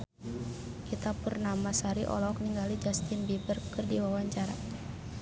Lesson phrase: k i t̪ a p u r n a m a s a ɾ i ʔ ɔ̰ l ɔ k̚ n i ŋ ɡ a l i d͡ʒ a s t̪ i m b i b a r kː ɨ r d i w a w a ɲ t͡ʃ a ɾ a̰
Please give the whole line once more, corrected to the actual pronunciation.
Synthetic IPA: k i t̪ a p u r n a m a s a ɾ i ʔ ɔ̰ l ɔ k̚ n i ŋ ɡ a l i d͡ʒ a s t̪ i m b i b ə r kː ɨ r d i w a w a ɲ t͡ʃ a ɾ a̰